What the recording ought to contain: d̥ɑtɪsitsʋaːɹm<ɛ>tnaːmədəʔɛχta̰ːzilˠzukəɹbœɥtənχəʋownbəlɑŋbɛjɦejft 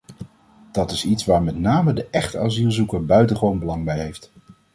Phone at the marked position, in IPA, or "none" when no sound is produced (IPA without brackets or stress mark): ɛ